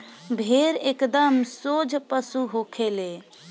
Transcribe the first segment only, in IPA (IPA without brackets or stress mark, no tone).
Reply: bʱ